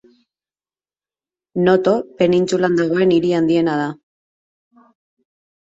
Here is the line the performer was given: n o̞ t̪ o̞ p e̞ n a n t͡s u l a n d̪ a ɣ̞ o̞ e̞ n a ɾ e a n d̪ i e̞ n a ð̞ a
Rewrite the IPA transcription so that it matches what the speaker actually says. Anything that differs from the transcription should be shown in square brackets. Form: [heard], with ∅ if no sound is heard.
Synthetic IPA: n o̞ t̪ o̞ p e̞ n [i] n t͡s u l a n d̪ a ɣ̞ o̞ e̞ n [i] ɾ [i] a n d̪ i e̞ n a ð̞ a